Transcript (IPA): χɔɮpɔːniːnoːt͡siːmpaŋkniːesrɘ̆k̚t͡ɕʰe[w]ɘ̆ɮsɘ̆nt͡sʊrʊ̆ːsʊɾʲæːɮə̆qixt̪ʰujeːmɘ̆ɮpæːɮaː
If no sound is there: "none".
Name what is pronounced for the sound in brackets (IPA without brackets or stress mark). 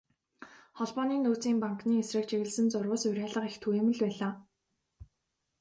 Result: ɣ